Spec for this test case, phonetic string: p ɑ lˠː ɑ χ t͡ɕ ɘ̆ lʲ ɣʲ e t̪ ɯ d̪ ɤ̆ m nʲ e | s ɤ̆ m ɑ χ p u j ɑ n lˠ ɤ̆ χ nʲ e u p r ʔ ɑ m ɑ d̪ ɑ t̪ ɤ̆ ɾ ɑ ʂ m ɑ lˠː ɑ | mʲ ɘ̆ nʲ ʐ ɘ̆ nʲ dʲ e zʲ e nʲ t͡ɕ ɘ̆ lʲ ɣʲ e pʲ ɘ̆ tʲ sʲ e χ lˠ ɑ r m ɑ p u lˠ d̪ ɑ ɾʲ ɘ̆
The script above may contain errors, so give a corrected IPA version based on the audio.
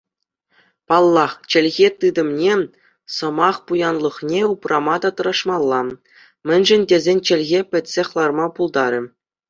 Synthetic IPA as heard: p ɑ lˠː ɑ χ t͡ɕ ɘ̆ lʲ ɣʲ e t̪ ɯ d̪ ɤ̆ m nʲ e | s ɤ̆ m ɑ χ p u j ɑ n lˠ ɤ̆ χ nʲ e u p r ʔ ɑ m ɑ d̪ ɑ t̪ ɤ̆ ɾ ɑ ʂ m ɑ lˠː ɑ | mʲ ɘ̆ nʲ ʐ ɘ̆ nʲ dʲ e zʲ e nʲ t͡ɕ ɘ̆ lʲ ɣʲ e pʲ ɘ̆ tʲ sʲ e χ lˠ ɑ r m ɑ p u lˠ d̪ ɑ ɾʲ ɘ̆